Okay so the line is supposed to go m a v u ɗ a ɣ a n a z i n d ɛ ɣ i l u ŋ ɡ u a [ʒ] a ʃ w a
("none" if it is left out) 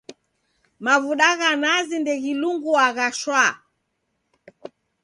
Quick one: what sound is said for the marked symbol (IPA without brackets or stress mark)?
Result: ɣ